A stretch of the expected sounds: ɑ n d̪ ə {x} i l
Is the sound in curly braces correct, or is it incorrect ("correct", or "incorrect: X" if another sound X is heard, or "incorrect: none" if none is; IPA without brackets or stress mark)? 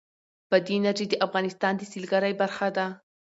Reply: incorrect: s